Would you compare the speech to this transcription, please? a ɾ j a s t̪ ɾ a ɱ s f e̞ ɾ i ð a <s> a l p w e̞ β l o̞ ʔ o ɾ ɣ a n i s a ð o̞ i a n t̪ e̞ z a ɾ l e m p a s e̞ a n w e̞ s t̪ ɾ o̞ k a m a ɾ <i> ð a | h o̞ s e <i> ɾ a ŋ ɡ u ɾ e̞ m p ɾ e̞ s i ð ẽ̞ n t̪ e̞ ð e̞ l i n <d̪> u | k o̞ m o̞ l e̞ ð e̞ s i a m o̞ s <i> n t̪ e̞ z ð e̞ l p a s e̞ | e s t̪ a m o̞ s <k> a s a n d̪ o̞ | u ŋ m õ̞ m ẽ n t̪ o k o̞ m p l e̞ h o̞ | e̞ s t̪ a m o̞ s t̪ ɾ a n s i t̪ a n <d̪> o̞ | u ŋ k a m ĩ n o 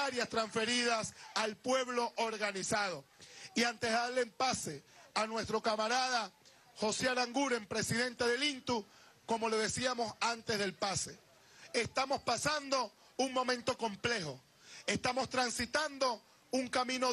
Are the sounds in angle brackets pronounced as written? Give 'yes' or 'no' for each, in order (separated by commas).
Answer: yes, no, no, no, no, no, yes